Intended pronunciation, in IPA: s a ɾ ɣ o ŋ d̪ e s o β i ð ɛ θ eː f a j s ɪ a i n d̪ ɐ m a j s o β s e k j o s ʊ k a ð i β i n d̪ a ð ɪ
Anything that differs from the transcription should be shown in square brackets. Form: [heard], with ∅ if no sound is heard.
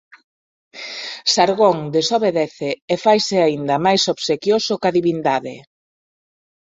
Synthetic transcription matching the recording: s a ɾ ɣ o ŋ d̪ e s o β [e] ð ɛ θ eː f a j s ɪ a i n d̪ ɐ m a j s o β s e k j o s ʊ k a ð i β i n d̪ a ð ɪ